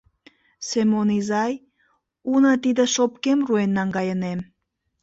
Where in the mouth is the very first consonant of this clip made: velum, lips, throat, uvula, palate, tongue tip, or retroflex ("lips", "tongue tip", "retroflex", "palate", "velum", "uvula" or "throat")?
tongue tip